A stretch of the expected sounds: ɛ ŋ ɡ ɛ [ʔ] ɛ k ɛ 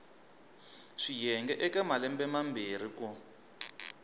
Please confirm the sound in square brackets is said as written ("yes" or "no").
yes